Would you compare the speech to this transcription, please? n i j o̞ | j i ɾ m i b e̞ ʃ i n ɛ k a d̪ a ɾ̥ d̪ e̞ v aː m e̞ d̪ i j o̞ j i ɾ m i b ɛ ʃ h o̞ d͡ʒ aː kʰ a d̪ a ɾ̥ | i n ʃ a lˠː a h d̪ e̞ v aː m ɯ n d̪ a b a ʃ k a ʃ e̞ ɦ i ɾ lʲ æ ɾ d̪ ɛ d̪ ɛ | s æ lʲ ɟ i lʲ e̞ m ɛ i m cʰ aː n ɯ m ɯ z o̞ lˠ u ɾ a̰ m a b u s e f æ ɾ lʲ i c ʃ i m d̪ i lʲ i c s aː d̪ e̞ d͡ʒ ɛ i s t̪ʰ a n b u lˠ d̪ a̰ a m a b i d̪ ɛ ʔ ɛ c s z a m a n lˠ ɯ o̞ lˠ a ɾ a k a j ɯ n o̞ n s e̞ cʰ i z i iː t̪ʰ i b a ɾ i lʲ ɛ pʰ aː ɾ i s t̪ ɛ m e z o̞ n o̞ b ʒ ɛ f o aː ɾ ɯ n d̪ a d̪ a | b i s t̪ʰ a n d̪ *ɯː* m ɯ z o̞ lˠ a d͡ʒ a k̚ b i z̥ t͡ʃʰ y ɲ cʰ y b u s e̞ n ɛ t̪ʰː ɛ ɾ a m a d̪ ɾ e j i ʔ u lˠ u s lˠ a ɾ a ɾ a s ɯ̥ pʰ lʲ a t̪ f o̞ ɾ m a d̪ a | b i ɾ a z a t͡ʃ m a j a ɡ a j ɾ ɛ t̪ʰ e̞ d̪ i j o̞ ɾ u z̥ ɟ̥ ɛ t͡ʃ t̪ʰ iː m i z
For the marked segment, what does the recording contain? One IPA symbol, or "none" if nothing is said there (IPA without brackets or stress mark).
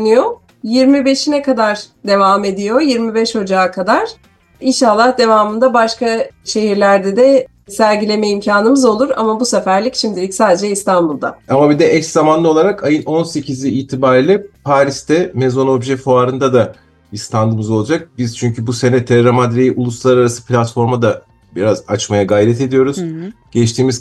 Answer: ɯ